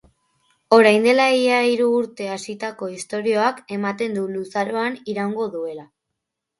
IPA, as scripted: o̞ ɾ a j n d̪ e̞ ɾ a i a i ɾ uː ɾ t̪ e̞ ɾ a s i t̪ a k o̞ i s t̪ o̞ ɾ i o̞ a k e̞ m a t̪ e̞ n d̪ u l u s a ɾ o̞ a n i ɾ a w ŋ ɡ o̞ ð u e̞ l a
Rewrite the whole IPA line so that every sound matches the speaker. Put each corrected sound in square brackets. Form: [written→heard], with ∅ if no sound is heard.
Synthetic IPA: o̞ ɾ a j n d̪ e̞ [ɾ→l] a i a i ɾ uː ɾ t̪ e̞ [ɾ→∅] a s i t̪ a k o̞ i s t̪ o̞ ɾ i o̞ a k e̞ m a t̪ e̞ n d̪ u l u s a ɾ o̞ a n i ɾ a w ŋ ɡ o̞ ð u e̞ l a